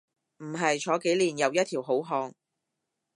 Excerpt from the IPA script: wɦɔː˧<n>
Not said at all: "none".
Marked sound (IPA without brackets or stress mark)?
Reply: ŋ